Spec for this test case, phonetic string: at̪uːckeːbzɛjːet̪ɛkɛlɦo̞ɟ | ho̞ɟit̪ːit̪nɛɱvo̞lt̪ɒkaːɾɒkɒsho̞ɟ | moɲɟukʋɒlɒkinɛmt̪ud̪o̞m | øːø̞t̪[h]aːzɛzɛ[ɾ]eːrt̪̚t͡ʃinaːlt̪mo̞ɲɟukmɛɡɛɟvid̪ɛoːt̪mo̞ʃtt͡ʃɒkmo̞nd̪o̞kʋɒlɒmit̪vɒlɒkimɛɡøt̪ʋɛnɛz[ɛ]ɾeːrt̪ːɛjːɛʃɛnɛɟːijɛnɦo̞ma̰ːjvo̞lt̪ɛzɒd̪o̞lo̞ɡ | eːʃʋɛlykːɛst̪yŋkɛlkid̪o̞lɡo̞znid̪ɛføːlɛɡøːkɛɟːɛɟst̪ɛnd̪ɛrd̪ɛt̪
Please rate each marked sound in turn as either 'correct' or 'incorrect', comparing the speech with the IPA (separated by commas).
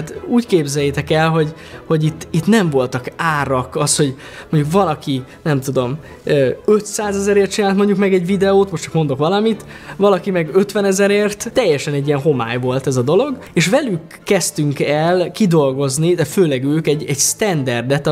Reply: incorrect, correct, correct